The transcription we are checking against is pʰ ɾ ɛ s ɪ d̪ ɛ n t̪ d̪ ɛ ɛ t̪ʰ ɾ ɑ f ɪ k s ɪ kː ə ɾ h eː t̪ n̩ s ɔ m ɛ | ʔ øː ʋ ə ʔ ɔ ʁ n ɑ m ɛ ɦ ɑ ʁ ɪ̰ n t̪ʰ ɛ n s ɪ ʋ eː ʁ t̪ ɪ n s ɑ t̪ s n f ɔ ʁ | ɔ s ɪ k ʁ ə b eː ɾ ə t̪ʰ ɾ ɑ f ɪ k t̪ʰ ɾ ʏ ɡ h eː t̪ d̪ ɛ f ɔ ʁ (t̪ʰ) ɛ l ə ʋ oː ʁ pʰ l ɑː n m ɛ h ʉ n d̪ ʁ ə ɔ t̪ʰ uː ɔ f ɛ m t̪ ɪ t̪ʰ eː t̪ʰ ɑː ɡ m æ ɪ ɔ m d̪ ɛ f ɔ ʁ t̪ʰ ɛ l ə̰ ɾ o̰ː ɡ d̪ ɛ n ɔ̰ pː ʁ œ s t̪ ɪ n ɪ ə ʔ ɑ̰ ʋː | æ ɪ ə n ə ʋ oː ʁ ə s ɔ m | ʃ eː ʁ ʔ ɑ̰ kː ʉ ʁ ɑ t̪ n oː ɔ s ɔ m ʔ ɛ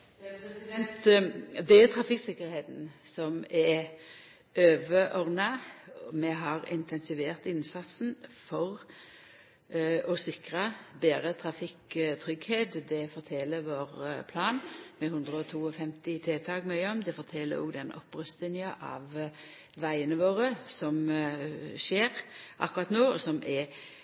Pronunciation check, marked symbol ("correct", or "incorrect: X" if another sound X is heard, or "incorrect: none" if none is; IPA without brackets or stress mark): correct